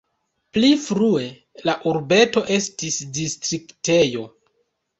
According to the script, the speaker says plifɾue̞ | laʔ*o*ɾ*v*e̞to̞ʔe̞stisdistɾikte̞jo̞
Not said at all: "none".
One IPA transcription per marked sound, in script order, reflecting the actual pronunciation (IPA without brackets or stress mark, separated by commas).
u, b